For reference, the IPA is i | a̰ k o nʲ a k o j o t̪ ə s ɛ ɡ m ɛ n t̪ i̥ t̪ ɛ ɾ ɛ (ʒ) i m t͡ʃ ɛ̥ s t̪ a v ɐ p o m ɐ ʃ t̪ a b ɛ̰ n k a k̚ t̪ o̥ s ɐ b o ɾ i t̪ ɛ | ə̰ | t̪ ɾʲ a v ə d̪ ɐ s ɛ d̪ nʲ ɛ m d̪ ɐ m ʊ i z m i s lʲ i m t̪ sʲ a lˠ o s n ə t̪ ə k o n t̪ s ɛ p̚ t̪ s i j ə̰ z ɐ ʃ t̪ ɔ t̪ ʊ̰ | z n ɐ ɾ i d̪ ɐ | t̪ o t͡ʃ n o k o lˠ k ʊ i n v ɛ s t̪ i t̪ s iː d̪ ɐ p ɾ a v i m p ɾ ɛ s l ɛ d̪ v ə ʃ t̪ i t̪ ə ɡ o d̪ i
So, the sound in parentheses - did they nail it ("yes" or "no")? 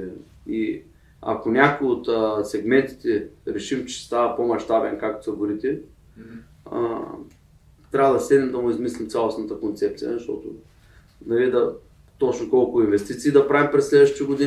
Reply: no